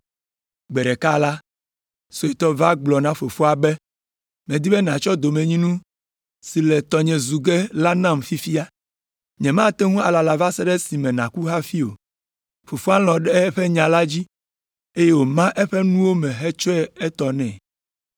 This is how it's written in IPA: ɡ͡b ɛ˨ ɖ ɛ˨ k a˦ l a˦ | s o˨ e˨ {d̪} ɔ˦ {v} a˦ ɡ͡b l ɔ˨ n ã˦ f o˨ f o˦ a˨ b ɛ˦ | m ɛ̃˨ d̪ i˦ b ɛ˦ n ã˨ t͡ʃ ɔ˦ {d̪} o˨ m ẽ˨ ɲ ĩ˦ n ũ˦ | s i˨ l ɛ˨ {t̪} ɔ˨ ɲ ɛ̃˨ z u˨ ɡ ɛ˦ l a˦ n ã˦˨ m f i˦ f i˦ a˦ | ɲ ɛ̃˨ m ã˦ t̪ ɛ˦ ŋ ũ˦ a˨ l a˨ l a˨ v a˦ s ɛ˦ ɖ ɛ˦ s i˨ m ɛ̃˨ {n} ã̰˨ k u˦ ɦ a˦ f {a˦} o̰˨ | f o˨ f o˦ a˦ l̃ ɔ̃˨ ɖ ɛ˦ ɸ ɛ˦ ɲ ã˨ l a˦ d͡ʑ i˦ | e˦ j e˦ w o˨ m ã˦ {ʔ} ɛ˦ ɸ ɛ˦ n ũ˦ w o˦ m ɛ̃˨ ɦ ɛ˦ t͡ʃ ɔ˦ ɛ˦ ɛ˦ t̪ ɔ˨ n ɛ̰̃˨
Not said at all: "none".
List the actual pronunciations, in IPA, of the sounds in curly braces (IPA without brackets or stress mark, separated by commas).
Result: t̪, v, d̪, t̪, n, i˦, ʔ